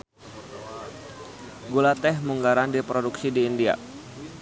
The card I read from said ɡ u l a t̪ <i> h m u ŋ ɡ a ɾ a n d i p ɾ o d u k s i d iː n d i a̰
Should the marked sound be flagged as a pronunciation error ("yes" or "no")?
yes